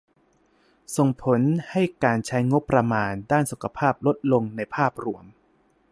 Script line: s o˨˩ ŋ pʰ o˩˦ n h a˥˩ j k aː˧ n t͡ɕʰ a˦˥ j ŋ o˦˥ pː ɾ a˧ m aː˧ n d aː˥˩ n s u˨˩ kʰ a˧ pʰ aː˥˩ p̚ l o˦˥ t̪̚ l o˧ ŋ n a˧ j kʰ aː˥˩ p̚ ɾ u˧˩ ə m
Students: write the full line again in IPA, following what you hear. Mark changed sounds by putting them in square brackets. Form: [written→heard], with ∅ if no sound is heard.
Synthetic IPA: s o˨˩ ŋ pʰ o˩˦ n h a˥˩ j k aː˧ n t͡ɕʰ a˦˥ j ŋ o˦˥ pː ɾ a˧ m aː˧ n d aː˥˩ n s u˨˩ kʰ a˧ pʰ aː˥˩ p̚ l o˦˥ t̪̚ l o˧ ŋ n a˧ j [kʰ→pʰ] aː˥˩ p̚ ɾ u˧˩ ə m